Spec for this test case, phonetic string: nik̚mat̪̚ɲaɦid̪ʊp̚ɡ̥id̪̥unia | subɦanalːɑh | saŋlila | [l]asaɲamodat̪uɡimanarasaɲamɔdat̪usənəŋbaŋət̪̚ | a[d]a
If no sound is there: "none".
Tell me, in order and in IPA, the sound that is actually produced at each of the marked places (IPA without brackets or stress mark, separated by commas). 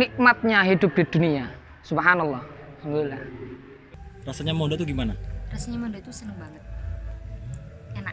r, n